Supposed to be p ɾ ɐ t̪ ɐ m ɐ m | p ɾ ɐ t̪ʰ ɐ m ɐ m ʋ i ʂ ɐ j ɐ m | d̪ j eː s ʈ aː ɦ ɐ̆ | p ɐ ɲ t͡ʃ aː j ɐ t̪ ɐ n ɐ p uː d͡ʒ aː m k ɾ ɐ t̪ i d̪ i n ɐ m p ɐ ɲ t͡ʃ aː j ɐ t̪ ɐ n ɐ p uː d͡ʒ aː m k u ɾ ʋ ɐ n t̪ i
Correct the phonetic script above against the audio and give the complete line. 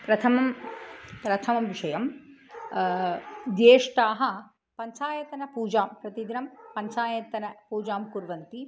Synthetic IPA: p ɾ ɐ t̪ʰ ɐ m ɐ m | p ɾ ɐ t̪ʰ ɐ m ɐ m ʋ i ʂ ɐ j ɐ m | d̪ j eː ʂ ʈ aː ɦ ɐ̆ | p ɐ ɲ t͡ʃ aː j ɐ t̪ ɐ n ɐ p uː d͡ʒ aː m p ɾ ɐ t̪ i d̪ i n ɐ m p ɐ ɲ t͡ʃ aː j ɐ t̪ ɐ n ɐ p uː d͡ʒ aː m k u ɾ ʋ ɐ n t̪ i

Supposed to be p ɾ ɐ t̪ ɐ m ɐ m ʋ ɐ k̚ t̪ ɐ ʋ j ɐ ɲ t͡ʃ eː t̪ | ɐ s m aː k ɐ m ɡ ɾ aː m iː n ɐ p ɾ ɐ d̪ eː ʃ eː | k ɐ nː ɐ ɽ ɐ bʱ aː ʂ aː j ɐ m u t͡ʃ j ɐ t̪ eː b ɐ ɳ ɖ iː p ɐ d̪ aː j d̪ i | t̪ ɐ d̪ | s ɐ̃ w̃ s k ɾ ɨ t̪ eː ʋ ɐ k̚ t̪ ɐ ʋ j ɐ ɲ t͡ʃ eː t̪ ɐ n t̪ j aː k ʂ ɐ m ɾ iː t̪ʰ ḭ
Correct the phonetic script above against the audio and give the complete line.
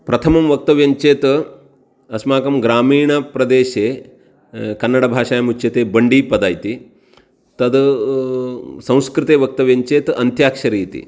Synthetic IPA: p ɾ ɐ t̪ʰ ɐ m ɐ m ʋ ɐ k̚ t̪ ɐ ʋ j ɐ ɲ t͡ʃ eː t̪ | ɐ s m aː k ɐ m ɡ ɾ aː m iː ɳ ɐ p ɾ ɐ d̪ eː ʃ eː | k ɐ nː ɐ ɽ ɐ bʱ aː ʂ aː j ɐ m u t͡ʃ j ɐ t̪ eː b ɐ ɳ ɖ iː p ɐ d̪ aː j t̪ i | t̪ ɐ d̪ | s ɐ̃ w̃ s k ɾ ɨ t̪ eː ʋ ɐ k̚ t̪ ɐ ʋ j ɐ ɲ t͡ʃ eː t̪ ɐ n t̪ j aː k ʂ ɐ ɾ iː t̪ ḭ

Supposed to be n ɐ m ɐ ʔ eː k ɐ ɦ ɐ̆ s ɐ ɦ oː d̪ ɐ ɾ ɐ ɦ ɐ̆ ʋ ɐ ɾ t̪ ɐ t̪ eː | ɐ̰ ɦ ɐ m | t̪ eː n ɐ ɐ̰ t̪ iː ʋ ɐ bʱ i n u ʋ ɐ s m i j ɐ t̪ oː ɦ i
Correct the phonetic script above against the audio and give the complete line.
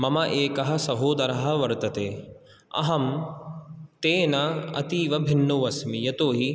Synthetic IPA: m ɐ m ɐ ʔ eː k ɐ ɦ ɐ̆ s ɐ ɦ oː d̪ ɐ ɾ ɐ ɦ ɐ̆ ʋ ɐ ɾ t̪ ɐ t̪ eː | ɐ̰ ɦ ɐ m | t̪ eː n ɐ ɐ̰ t̪ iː ʋ ɐ bʱ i nː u ʋ ɐ s m i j ɐ t̪ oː ɦ i

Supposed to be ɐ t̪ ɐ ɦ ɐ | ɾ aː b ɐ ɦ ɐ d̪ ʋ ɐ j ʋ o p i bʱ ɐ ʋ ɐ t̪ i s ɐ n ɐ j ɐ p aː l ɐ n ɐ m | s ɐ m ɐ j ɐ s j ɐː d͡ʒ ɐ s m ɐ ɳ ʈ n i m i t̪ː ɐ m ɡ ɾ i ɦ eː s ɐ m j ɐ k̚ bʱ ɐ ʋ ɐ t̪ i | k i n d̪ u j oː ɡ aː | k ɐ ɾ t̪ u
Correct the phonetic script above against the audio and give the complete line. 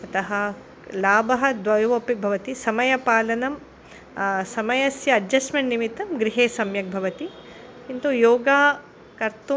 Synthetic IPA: ɐ t̪ ɐ ɦ ɐ | l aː b ɐ ɦ ɐ d̪ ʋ ɐ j ʋ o p i bʱ ɐ ʋ ɐ t̪ i s ɐ m ɐ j ɐ p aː l ɐ n ɐ m | s ɐ m ɐ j ɐ s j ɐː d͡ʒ ɐ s m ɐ ɳ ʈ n i m i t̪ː ɐ m ɡ ɾ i ɦ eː s ɐ m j ɐ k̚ bʱ ɐ ʋ ɐ t̪ i | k i n t̪ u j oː ɡ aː | k ɐ ɾ t̪ u

